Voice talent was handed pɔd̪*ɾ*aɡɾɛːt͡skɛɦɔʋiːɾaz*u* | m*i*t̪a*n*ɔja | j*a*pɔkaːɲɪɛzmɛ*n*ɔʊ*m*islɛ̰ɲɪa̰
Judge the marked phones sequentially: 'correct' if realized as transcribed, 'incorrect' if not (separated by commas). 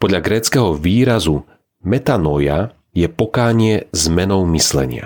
incorrect, correct, incorrect, correct, incorrect, correct, correct